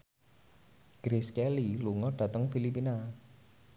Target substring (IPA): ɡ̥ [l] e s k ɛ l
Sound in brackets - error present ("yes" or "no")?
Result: yes